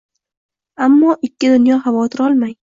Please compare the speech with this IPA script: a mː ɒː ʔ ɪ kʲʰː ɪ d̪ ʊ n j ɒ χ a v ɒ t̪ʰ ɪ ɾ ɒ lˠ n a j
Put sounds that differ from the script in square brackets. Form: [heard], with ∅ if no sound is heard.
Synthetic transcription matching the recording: a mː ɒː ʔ ɪ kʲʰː ɪ d̪ ʊ n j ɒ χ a v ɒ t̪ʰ ɪ ɾ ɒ lˠ [m] a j